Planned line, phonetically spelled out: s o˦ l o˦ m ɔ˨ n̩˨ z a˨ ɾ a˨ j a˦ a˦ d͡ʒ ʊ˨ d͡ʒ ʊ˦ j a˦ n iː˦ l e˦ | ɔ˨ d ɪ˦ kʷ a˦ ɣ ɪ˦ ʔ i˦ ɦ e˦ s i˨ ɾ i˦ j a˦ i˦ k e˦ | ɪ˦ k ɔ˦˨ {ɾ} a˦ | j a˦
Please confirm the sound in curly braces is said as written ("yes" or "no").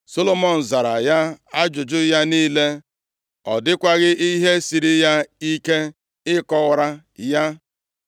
yes